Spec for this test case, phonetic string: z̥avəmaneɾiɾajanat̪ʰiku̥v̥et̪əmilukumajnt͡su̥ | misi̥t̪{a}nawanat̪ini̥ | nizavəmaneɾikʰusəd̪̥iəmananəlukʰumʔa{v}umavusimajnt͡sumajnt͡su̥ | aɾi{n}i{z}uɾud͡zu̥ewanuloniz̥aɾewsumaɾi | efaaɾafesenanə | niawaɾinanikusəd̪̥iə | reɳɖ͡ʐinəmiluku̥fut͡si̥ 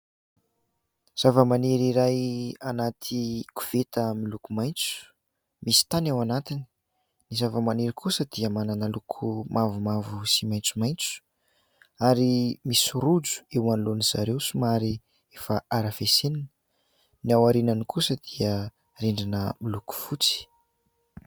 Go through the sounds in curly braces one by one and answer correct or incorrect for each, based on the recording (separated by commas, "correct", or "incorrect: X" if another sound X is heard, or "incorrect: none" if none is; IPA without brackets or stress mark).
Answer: correct, correct, incorrect: m, incorrect: s